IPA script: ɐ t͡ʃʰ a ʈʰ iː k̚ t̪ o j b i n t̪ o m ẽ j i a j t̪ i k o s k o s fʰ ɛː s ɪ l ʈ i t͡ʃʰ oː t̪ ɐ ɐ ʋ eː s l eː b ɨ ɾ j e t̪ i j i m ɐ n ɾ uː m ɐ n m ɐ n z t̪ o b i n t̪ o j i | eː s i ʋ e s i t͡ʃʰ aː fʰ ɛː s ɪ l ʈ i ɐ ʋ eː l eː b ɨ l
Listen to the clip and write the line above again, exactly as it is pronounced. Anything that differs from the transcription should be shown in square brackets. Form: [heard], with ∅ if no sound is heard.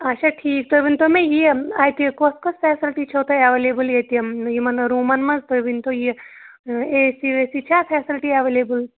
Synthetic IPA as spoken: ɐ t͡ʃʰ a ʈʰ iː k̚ t̪ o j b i n t̪ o m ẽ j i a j t̪ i k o s k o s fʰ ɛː s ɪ l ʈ i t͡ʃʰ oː t̪ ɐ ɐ ʋ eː [∅] l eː b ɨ [l] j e t̪ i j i m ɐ n ɾ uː m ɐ n m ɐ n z t̪ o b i n t̪ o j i | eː s i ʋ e s i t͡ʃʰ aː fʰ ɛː s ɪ l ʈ i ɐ ʋ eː l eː b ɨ l

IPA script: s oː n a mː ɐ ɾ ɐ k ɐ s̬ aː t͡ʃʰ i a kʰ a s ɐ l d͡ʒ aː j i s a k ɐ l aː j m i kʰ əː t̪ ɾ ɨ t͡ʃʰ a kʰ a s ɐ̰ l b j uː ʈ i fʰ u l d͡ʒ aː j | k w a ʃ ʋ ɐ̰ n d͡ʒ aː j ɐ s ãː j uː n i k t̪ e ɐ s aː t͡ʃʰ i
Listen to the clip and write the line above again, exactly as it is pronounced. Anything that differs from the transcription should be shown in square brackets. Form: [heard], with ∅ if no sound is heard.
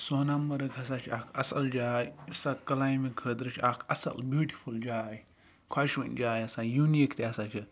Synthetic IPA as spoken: s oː n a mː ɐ ɾ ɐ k ɐ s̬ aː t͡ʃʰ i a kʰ [ɐ] s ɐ l d͡ʒ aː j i s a k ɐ l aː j m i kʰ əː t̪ ɾ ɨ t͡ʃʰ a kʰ [ɐ] s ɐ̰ l b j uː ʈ i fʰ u l d͡ʒ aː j | [kʰ] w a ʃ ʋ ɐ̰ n d͡ʒ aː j ɐ s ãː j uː n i k t̪ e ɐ s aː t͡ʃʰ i

